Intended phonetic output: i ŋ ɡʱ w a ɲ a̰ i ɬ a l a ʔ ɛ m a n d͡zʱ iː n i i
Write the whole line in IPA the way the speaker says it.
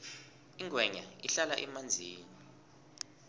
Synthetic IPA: i ŋ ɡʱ w ɛ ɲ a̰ i ɬ a l a ʔ ɛ m a n d͡zʱ iː n i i